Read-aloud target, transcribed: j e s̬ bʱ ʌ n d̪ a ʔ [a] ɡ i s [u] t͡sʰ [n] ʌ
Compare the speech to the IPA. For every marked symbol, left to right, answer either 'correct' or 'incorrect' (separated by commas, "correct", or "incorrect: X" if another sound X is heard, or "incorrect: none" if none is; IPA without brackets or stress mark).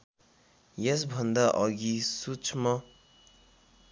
incorrect: ʌ, correct, incorrect: m